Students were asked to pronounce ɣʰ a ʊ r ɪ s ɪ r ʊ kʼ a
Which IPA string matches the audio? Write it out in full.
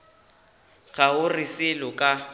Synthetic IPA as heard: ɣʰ a ʊ r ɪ s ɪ l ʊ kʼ a